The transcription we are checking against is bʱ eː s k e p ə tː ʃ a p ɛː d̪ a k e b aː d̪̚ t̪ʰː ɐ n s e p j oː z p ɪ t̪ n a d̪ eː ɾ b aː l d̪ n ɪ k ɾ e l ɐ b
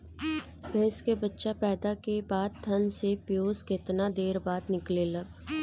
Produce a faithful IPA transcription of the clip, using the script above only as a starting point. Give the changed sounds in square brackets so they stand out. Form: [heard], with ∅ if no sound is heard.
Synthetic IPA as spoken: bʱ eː s k e [b] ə tː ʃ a p ɛː d̪ a k e b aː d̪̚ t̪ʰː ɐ n s e p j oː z [k] ɪ t̪ n a d̪ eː ɾ b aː [∅] d̪ n ɪ k [l] e l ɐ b

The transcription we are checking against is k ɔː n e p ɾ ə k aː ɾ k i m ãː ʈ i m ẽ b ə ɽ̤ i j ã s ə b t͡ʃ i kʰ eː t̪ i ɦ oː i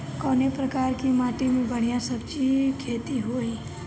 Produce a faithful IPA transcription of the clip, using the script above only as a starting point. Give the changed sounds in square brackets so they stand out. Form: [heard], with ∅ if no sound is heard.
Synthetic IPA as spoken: k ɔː n e p ɾ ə k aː ɾ k i m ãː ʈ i m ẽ b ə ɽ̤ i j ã s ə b t͡ʃ i kʰ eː t̪ i ɦ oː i

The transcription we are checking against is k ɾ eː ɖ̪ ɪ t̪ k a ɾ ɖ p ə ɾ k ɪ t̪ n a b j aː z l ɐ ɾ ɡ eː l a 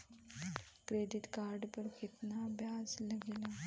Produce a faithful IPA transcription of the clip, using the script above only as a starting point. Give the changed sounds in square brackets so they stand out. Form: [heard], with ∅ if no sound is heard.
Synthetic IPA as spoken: k ɾ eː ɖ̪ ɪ t̪ k a ɾ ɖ p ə ɾ k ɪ t̪ n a b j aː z l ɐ [∅] ɡ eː l a

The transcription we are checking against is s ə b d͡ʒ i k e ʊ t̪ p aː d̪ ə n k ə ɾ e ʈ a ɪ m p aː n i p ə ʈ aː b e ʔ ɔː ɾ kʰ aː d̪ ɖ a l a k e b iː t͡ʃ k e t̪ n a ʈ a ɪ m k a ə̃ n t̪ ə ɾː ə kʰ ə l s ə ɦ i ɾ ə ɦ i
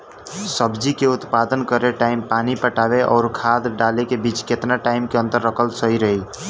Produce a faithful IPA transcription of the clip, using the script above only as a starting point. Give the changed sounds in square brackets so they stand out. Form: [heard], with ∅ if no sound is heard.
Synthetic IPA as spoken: s ə b d͡ʒ i k e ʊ t̪ p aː d̪ ə n k ə ɾ e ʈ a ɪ m p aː n i p ə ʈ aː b e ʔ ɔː ɾ kʰ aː d̪ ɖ a l [e] k e b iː t͡ʃ k e t̪ n a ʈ a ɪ m k [e] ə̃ n t̪ ə ɾː ə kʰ ə l s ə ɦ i ɾ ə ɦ i

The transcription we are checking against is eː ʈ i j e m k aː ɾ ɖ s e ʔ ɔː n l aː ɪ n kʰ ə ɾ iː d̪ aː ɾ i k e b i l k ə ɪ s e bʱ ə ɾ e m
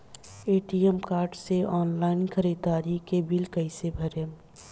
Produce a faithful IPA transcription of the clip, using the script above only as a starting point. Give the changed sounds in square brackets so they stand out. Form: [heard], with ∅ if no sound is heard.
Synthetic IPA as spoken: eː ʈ i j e m k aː ɾ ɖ s e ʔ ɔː n l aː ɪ n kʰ ə ɾ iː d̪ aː ɾ i k e b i l k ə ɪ s e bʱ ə ɾ e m

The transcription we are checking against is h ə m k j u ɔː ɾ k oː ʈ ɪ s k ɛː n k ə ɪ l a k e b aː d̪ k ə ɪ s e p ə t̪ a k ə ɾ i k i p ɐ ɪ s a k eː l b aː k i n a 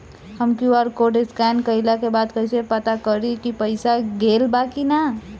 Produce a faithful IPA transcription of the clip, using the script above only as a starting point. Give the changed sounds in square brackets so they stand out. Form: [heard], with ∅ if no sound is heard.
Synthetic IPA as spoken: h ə m k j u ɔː ɾ k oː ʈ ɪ s k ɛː n k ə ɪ l a k e b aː d̪ k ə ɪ s e p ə t̪ a k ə ɾ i k i p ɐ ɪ s a [ɡ] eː l b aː k i n a

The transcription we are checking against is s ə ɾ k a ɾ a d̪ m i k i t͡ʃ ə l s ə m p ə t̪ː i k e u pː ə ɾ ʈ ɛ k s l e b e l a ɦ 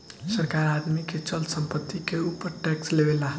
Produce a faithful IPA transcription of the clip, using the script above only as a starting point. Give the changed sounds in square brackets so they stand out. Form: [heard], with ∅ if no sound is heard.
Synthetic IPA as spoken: s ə ɾ k a ɾ a d̪ m i k [e] t͡ʃ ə l s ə m p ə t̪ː i k e u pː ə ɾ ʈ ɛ k s l e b e l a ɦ

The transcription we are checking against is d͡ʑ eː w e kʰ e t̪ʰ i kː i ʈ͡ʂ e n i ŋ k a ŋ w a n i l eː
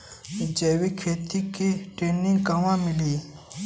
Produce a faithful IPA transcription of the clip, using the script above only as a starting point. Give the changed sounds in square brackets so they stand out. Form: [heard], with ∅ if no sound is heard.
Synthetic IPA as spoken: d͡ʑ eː w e kʰ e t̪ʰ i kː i ʈ͡ʂ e n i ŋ k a ŋ w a [m] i l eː

